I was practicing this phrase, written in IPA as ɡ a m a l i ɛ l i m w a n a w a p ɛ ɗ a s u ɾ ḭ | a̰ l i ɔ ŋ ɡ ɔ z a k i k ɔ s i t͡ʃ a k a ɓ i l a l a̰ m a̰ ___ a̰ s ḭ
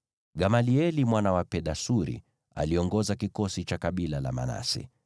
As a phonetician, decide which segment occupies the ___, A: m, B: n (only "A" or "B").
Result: B